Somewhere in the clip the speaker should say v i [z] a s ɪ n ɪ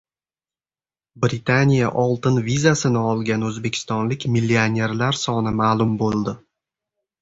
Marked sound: correct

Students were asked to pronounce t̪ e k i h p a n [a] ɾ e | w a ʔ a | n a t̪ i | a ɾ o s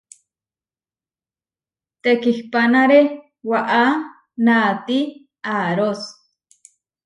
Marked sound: correct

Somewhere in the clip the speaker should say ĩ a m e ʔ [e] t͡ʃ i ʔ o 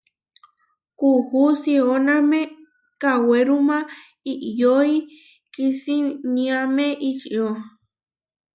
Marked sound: incorrect: i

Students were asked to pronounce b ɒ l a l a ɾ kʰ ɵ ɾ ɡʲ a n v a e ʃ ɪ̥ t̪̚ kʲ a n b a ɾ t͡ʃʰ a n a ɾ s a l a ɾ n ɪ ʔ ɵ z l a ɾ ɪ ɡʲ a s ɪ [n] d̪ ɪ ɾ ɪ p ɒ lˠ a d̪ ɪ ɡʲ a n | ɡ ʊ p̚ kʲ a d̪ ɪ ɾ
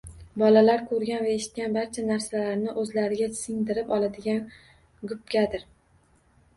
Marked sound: incorrect: ŋ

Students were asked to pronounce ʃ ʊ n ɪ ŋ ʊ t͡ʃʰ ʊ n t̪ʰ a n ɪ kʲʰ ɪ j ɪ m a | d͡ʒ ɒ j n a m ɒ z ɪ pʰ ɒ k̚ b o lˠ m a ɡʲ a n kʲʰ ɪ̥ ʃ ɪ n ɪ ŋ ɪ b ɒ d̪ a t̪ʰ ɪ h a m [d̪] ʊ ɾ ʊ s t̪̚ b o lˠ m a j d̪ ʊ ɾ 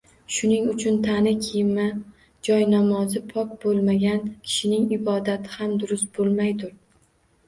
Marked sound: correct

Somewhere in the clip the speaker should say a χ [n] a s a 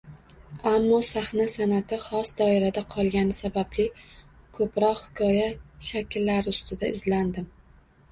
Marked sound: correct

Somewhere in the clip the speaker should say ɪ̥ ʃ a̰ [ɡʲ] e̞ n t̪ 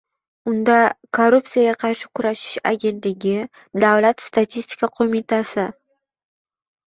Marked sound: correct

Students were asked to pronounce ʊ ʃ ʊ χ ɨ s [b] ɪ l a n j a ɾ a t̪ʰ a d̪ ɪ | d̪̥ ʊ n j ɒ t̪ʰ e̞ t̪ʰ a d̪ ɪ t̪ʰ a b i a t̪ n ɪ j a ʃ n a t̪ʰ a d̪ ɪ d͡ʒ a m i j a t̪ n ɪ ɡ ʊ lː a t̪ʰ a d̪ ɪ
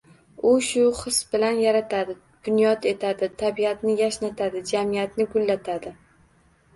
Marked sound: correct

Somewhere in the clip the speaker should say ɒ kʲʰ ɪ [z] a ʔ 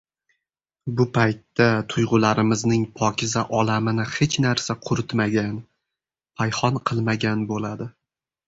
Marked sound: correct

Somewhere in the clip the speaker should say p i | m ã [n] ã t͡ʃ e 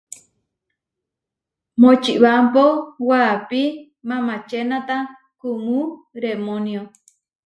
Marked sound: incorrect: m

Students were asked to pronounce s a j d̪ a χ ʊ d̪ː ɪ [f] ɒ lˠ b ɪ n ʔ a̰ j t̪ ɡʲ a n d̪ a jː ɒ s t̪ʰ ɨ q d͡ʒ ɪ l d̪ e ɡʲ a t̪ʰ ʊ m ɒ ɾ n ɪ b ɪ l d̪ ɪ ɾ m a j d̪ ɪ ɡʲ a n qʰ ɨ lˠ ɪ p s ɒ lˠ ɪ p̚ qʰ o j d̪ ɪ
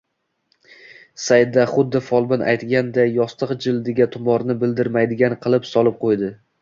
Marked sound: correct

